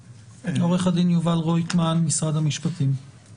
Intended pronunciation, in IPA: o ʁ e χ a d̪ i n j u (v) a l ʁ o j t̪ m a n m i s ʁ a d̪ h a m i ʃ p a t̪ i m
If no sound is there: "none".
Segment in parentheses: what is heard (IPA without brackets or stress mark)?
v